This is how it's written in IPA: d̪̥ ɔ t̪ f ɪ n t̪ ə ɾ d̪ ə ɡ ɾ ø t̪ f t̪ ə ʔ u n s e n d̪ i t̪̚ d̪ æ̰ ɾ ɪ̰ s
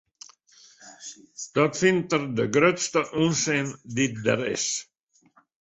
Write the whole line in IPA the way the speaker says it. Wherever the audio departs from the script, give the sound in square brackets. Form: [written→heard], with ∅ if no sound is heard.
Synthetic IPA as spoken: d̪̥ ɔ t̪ f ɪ n t̪ ə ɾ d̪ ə ɡ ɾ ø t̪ [f→s] t̪ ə ʔ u n s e n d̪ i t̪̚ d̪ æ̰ ɾ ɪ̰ s